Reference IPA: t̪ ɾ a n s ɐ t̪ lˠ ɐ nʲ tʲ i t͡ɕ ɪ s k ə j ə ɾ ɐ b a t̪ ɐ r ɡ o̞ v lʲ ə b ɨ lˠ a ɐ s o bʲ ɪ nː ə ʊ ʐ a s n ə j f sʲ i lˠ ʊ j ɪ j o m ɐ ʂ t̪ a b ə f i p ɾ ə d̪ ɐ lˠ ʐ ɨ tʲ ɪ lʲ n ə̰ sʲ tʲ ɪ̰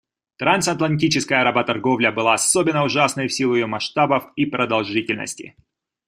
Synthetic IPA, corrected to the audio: t̪ ɾ a n s ɐ t̪ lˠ ɐ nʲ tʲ i t͡ɕ ɪ s k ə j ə ɾ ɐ b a t̪ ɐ r ɡ o̞ v lʲ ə b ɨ lˠ a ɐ s o bʲ ɪ nː ə ʊ ʐ a s n ə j f sʲ i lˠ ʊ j ɪ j o m ɐ ʂ t̪ a b ə f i p ɾ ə d̪ ɐ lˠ ʐ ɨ tʲ ɪ lʲ n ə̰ sʲ tʲ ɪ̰